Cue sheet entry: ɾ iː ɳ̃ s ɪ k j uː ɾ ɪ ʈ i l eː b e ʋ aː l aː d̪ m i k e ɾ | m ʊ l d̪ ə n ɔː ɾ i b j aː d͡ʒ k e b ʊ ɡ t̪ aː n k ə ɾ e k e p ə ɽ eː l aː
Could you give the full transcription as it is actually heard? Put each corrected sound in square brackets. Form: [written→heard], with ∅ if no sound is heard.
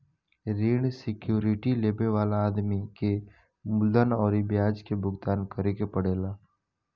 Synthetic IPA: ɾ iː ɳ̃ s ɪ k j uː ɾ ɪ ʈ i l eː b e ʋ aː l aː d̪ m i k e [ɾ→∅] | m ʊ l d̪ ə n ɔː ɾ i b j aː d͡ʒ k e b ʊ ɡ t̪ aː n k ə ɾ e k e p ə ɽ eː l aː